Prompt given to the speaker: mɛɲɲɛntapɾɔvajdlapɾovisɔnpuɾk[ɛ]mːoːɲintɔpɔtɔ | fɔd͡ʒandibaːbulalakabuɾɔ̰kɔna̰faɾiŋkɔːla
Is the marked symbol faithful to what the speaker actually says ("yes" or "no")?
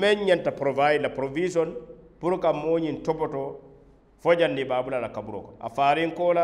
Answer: no